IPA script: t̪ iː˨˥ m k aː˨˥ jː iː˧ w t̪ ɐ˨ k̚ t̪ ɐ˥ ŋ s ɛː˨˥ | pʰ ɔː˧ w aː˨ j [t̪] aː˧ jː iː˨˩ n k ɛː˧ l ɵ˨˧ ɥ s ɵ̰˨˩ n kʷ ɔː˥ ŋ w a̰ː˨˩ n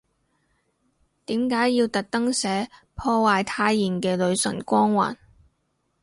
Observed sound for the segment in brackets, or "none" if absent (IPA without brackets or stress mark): t̪ʰ